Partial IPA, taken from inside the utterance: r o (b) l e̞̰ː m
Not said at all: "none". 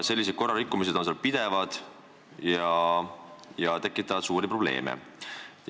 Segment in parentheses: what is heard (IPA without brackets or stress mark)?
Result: b